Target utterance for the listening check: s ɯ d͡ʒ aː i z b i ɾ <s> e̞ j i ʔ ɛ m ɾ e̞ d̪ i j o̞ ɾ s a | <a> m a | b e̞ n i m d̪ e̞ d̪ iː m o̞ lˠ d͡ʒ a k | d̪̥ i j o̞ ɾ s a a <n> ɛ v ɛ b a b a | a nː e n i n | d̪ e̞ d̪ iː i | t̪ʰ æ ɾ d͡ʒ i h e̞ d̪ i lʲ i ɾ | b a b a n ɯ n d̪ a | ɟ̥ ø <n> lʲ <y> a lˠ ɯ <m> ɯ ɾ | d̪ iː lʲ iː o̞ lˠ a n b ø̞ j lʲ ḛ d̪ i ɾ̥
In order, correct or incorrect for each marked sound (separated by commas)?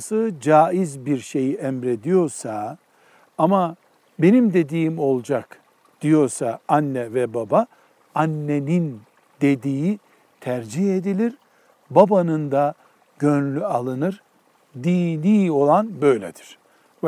incorrect, correct, incorrect, correct, correct, incorrect